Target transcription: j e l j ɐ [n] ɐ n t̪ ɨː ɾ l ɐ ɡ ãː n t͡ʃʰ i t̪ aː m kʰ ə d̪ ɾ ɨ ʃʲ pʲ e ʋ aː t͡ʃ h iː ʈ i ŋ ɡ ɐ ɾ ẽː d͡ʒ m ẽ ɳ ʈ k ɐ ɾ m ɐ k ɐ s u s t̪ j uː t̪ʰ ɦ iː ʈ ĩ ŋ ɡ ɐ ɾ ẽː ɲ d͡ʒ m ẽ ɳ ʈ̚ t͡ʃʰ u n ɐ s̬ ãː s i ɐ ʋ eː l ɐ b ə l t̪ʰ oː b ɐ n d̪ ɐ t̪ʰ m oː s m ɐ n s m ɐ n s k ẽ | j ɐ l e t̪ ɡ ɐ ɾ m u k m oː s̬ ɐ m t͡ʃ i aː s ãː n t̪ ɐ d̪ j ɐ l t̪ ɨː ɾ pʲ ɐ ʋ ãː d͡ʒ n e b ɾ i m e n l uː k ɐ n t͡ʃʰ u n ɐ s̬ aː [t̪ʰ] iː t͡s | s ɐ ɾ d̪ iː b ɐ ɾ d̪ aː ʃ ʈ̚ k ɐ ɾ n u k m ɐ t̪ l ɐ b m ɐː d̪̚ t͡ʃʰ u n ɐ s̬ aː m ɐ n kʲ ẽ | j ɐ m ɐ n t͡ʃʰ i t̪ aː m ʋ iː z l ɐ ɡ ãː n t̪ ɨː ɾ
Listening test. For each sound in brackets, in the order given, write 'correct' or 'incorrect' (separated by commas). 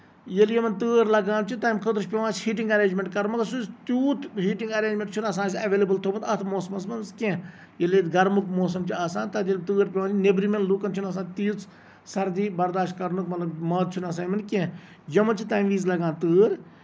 incorrect, incorrect